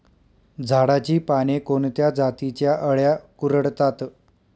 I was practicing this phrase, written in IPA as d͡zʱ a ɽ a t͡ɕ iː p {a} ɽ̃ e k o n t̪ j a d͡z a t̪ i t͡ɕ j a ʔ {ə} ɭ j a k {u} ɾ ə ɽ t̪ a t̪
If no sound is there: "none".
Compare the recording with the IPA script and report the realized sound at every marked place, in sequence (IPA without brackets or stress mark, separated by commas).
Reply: a, ə, u